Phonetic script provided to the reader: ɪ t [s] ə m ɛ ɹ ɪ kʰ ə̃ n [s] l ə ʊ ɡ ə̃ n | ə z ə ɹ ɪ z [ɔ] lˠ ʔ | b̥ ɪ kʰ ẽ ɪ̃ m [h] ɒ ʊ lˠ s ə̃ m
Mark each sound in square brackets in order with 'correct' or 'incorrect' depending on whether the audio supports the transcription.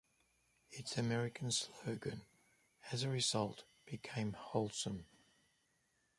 correct, correct, incorrect, correct

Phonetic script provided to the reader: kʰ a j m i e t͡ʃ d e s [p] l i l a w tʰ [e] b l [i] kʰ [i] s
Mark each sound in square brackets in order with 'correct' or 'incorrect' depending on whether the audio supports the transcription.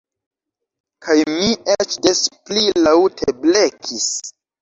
correct, correct, incorrect, correct

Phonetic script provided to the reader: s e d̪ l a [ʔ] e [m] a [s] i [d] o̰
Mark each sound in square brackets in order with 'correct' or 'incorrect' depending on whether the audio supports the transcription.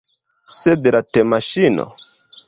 incorrect, correct, incorrect, incorrect

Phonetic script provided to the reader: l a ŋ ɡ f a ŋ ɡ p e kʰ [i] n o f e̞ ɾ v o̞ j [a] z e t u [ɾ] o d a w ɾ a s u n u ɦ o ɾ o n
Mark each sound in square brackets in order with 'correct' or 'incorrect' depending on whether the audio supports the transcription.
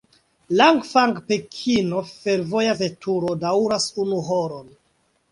correct, correct, correct

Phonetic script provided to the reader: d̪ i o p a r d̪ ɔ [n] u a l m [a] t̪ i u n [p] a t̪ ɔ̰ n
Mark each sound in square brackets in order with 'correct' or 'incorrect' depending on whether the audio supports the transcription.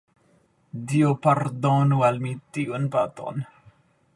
correct, incorrect, correct

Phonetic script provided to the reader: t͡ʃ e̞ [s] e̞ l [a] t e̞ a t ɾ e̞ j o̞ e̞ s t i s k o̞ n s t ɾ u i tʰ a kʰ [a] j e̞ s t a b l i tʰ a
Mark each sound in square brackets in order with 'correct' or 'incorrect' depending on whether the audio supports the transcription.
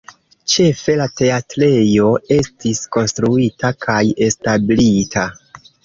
incorrect, correct, correct

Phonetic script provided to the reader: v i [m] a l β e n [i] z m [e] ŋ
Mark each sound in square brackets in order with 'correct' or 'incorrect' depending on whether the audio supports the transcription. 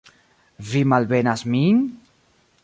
correct, incorrect, incorrect

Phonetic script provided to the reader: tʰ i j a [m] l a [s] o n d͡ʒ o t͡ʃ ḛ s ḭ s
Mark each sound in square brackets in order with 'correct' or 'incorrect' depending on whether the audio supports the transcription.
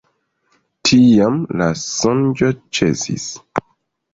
correct, correct

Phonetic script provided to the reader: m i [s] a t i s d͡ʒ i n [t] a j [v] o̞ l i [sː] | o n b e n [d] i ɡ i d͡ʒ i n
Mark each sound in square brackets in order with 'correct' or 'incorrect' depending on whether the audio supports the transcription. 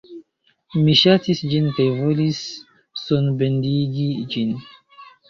incorrect, incorrect, correct, correct, correct

